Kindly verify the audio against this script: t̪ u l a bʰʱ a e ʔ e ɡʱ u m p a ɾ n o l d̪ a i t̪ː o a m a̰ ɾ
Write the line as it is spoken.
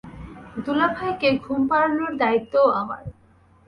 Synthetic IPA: d̪ u l a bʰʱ a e k e ɡʱ u m p a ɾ n o ɾ d̪ a i t̪ː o a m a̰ ɾ